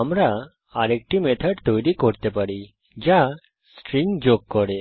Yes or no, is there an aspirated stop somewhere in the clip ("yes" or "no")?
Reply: yes